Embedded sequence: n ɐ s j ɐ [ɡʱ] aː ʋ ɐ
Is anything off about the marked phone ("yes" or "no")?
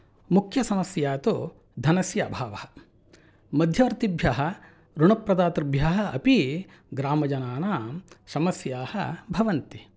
yes